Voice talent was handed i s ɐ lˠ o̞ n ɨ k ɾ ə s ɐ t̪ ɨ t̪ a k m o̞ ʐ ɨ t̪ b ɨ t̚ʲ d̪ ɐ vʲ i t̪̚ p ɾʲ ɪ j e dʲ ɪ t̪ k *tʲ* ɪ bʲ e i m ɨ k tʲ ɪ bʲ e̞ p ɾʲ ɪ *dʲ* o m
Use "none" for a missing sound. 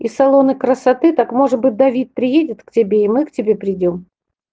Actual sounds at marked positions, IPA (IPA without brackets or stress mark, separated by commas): tʲ, dʲ